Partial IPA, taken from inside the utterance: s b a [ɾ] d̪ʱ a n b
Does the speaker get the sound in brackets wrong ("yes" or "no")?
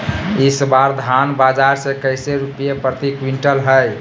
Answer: no